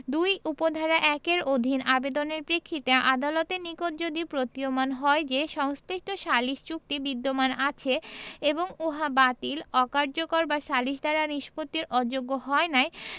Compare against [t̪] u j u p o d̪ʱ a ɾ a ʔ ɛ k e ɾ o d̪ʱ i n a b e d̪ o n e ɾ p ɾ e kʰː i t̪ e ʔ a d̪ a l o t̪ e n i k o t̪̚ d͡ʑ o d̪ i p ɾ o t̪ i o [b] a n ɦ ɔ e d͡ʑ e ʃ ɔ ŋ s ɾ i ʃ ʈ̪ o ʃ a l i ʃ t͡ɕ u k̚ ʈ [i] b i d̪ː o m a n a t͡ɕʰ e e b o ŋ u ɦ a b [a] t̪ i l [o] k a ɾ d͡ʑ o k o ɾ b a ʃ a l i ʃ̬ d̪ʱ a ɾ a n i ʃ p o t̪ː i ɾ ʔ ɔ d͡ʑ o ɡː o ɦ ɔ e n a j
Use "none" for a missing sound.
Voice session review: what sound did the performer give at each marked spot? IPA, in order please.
d̪, m, i, a, ɔ

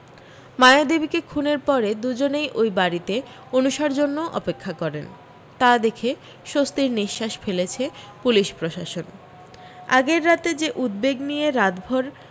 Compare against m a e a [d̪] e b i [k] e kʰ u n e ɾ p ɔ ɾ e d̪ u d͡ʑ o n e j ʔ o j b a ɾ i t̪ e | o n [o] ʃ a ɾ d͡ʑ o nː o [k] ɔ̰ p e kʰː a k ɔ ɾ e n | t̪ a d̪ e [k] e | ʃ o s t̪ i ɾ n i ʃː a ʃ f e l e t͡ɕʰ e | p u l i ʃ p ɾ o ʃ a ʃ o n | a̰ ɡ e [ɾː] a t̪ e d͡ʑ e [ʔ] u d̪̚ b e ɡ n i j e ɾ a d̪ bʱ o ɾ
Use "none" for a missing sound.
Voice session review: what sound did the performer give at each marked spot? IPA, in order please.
d̪, k, u, ʔ, kʰ, ɾː, ʔ

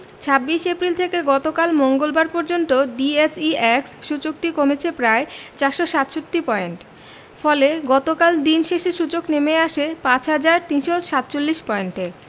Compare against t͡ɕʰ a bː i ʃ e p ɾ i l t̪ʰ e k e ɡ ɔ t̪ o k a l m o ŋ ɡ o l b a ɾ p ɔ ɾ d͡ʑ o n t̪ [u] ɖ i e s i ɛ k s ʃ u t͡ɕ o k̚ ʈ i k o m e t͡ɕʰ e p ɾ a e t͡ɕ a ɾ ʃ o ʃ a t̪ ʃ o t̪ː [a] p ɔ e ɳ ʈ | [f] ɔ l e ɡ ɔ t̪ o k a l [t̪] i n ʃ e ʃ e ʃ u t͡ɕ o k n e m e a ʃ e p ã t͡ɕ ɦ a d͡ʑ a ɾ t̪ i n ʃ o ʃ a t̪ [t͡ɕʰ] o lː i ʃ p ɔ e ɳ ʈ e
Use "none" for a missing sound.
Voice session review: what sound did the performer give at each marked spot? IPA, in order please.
o, i, f, d̪, t͡ɕ

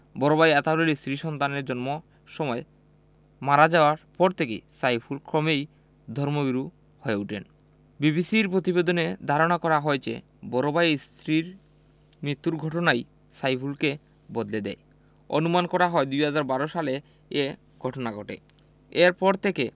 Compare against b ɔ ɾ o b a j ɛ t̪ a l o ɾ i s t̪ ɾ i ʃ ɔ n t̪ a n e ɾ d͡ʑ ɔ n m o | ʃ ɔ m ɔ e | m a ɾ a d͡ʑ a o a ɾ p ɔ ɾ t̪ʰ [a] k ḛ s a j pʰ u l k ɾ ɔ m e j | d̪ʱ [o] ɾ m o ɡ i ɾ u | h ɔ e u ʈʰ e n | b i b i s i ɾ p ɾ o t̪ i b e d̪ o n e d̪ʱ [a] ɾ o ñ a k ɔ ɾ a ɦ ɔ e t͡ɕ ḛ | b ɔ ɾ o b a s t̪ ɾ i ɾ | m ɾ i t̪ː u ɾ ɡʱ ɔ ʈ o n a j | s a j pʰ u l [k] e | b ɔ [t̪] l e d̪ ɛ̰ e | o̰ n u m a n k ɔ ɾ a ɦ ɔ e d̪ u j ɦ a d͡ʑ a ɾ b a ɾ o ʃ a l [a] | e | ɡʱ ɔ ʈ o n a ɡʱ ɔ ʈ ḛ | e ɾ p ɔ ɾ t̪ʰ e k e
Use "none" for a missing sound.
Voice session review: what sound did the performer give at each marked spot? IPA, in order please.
e, ɔ, a, k, d̪, e

